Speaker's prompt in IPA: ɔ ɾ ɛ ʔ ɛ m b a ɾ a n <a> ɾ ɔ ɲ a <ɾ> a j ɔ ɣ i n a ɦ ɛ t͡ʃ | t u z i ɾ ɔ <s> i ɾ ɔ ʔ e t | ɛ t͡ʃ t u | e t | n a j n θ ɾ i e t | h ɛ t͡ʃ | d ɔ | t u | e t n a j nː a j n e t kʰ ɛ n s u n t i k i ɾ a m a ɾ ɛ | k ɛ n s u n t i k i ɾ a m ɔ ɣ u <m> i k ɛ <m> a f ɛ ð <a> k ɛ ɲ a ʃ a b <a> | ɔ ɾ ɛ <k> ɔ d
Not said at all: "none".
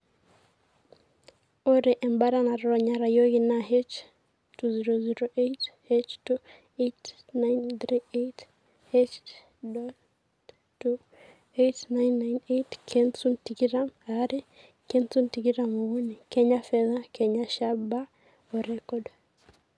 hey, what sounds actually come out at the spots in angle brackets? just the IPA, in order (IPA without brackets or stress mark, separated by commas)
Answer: a, ɾ, z, n, ɲ, a, a, k